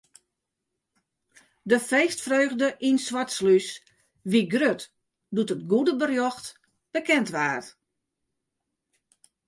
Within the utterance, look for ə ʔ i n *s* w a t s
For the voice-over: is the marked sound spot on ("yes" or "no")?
yes